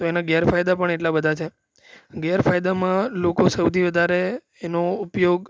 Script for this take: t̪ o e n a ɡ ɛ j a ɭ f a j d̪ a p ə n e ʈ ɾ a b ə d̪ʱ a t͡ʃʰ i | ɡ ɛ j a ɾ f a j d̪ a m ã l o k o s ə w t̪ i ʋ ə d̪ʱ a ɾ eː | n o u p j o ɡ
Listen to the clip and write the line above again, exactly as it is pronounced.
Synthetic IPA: t̪ o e n a ɡ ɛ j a ɾ f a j d̪ a p ə ɳ e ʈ l a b ə d̪ʱ a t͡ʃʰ e | ɡ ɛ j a ɾ f a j d̪ a m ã l o k o s ə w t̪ i ʋ ə d̪ʱ a ɾ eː | n o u p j o ɡ

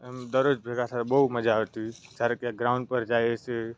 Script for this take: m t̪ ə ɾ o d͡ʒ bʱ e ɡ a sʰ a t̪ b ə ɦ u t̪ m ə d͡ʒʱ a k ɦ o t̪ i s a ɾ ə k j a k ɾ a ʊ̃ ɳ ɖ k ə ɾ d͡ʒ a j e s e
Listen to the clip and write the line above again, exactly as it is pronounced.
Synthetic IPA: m d̪ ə ɾ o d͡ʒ bʱ e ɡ a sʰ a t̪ b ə ɦ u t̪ m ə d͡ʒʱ a ɦ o t̪ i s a ɾ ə k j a ɡ ɾ a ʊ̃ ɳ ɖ p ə ɾ d͡ʒ a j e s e

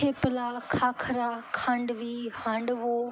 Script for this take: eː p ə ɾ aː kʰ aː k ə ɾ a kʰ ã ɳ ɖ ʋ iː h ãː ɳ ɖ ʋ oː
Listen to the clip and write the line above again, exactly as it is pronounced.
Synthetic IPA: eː p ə l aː kʰ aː kʰ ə ɾ a kʰ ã ɳ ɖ ʋ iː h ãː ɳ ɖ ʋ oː

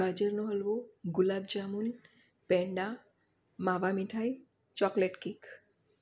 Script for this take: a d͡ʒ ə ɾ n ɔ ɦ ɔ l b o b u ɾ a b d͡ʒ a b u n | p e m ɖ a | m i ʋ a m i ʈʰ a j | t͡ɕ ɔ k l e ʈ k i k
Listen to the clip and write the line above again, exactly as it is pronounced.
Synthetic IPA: a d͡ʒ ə ɾ n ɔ ɦ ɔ l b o ɡ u l a b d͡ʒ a m u n | p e ɳ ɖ a | m a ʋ a m i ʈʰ a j | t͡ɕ ɔ k l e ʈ k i k

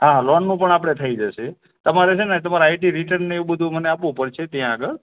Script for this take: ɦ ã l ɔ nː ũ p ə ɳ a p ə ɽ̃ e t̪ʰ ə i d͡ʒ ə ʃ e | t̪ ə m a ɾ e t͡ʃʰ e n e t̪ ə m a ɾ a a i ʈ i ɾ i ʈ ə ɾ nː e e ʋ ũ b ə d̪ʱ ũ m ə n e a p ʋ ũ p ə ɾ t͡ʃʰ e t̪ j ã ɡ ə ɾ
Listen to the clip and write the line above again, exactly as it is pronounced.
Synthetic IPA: ɦ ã l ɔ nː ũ p ə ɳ a p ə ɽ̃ e t̪ʰ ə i d͡ʒ ə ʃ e | t̪ ə m a ɾ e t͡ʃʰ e n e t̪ ə m a ɾ a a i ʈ i ɾ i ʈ ə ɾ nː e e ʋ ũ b ə d̪ʱ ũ m ə n e a p ʋ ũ p ə ɾ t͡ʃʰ e t̪ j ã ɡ ə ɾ

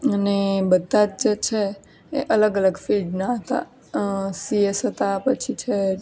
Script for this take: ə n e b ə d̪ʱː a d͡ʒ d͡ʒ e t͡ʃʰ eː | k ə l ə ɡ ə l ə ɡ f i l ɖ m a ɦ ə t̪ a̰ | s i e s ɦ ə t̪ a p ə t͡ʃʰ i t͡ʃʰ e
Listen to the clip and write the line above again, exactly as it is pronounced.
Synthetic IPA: ə n e b ə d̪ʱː a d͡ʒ d͡ʒ e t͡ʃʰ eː | ʔ ə l ə ɡ ə l ə ɡ f i l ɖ n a ɦ ə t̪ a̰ | s i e s ɦ ə t̪ a p ə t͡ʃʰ i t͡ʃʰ e

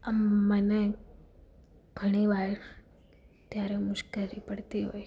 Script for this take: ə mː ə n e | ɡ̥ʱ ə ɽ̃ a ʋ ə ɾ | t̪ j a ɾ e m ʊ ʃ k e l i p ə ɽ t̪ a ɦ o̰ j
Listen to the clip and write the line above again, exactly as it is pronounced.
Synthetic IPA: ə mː ə n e | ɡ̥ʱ ə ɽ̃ i ʋ a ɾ | t̪ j a ɾ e m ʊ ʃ k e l i p ə ɽ t̪ i ɦ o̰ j

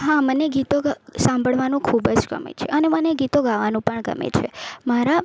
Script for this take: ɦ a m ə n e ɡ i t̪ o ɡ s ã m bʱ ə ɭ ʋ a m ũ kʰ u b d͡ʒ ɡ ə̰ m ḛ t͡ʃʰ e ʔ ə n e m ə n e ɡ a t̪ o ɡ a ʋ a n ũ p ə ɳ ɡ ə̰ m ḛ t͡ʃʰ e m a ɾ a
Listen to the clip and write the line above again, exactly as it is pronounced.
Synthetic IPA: ɦ a m ə n e ɡ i t̪ o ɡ s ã m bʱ ə ɭ ʋ a n ũ kʰ u b d͡ʒ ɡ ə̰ m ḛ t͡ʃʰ e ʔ ə n e m ə n e ɡ i t̪ o ɡ a ʋ a n ũ p ə ɳ ɡ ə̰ m ḛ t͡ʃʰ e m a ɾ a

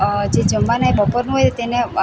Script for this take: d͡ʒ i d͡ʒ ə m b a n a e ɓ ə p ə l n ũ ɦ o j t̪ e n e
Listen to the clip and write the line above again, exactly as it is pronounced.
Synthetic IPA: d͡ʒ e d͡ʒ ə m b a n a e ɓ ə p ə ɾ n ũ ɦ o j t̪ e n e

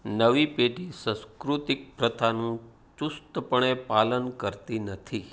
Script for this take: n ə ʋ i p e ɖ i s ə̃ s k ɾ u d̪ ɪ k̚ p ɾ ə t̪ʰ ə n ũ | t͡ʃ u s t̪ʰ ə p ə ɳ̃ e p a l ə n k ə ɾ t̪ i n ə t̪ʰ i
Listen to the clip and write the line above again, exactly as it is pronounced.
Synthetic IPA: n ə ʋ i p e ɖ i s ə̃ s k ɾ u t̪ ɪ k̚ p ɾ ə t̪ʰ a n ũ | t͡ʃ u s t̪ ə p ə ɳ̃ e p a l ə n k ə ɾ t̪ i n ə t̪ʰ i

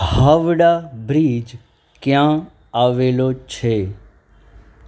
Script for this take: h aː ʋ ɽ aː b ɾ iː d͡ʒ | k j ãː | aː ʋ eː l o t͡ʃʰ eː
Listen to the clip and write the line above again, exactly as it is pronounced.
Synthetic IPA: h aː ʋ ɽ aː b ɾ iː d͡ʒ | k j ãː | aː ʋ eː l o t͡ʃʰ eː

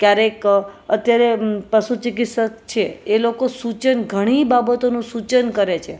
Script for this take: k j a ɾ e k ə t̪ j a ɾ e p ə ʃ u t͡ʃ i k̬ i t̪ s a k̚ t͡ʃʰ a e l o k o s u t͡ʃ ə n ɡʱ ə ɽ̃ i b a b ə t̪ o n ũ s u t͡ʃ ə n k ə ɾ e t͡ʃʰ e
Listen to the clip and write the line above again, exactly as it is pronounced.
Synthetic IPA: k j a ɾ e k ə t̪ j a ɾ e p ə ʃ u t͡ʃ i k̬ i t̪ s ə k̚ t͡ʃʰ e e l o k o s u t͡ʃ ə n ɡʱ ə ɽ̃ i b a b ə t̪ o n ũ s u t͡ʃ ə n k ə ɾ e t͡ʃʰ e

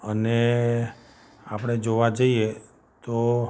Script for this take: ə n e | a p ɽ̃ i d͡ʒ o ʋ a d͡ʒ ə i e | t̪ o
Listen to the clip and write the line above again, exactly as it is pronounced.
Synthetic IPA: ə n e | a p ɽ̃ e d͡ʒ o ʋ a d͡ʒ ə i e | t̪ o

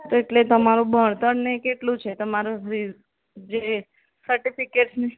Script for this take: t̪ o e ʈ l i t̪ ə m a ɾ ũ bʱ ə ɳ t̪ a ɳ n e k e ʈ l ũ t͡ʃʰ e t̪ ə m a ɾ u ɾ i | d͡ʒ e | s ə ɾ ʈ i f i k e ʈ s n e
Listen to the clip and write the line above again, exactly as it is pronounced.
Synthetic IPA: t̪ o e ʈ l e t̪ ə m a ɾ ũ bʱ ə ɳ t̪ ə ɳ n e k e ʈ l ũ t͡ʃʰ e t̪ ə m a ɾ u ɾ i | d͡ʒ e | s ə ɾ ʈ i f i k e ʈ s n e

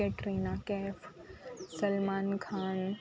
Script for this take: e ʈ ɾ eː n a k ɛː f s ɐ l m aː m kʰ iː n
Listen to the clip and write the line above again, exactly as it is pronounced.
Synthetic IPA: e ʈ ɾ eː n a k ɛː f s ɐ l m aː n kʰ aː n

